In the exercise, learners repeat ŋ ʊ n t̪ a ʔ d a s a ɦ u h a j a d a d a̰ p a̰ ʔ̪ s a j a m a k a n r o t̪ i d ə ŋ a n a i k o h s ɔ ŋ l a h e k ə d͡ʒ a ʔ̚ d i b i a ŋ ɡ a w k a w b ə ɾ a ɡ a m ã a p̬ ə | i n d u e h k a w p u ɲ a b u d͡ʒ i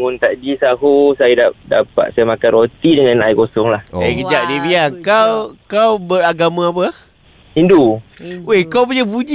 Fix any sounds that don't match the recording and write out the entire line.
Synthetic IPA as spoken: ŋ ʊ n t̪ a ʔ d i s a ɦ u s a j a d a d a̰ p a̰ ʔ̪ s a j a m a k a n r o t̪ i d ə ŋ a n a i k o s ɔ ŋ l a h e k ə d͡ʒ a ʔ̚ d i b i a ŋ k a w k a w b ə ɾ a ɡ a m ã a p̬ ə | i n d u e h k a w p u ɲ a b u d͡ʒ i